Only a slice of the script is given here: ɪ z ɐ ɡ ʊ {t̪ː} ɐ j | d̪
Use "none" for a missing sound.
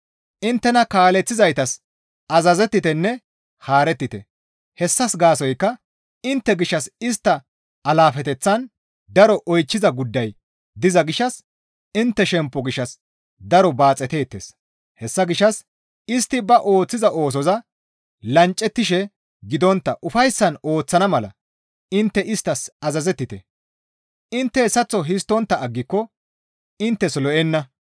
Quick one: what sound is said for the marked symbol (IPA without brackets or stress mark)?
d̪ː